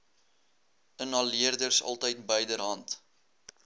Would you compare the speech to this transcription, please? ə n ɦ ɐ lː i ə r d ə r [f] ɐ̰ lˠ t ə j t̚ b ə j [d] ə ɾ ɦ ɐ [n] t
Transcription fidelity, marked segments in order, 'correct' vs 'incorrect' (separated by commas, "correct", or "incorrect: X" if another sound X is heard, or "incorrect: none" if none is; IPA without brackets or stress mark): incorrect: s, correct, correct